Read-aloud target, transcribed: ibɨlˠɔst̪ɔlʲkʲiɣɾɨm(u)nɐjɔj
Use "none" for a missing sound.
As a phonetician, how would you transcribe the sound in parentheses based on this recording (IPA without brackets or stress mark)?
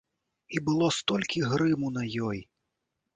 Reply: u